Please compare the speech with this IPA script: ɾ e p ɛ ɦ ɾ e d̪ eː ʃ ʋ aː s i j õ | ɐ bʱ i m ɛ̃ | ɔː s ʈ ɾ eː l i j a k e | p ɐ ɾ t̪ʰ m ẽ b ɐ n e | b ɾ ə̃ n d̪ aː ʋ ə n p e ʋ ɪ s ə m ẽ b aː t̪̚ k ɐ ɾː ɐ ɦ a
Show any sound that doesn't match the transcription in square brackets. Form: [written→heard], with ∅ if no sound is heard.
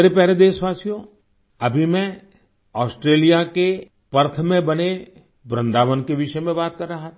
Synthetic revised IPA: ɾ e p ɛ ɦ ɾ e d̪ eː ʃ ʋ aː s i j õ | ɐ bʱ i m ɛ̃ | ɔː s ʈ ɾ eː l i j a k e | p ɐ ɾ t̪ʰ m ẽ b ɐ n e | b ɾ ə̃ n d̪ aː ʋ ə n [p→k] e ʋ ɪ [s→ʃ] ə m ẽ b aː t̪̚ k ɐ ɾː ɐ ɦ a

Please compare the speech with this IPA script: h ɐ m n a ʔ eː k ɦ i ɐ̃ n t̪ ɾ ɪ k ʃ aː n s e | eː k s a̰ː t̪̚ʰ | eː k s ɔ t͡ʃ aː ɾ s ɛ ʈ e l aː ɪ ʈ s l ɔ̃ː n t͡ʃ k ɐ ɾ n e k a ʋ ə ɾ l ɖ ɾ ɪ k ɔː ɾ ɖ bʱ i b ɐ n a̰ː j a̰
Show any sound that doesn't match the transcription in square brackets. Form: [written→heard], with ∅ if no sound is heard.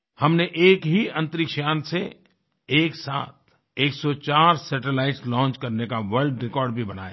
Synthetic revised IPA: h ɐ m n [a→e] ʔ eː k ɦ i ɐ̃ n t̪ ɾ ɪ k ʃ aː n s e | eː k s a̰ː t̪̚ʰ | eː k s ɔ t͡ʃ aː ɾ s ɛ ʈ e l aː ɪ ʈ s l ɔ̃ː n t͡ʃ k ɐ ɾ n e k a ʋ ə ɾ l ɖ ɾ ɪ k ɔː ɾ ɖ bʱ i b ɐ n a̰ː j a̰

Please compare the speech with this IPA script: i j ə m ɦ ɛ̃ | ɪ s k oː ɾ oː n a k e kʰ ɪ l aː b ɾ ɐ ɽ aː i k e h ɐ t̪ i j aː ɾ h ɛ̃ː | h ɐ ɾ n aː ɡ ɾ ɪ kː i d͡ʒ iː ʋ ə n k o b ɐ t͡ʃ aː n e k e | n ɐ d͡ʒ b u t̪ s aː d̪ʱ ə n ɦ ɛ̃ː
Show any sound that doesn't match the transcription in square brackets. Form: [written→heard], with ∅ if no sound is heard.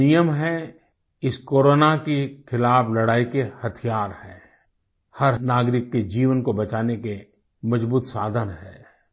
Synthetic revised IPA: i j ə m ɦ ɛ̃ | ɪ s k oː ɾ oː n a k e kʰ ɪ l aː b [ɾ→l] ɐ ɽ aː i k e h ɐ [t̪→t̪ʰ] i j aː ɾ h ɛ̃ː | h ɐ ɾ n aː ɡ ɾ ɪ kː [i→e] d͡ʒ iː ʋ ə n k o b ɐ t͡ʃ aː n e k e | [n→m] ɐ d͡ʒ b [u→uː] t̪ s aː d̪ʱ ə n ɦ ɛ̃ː

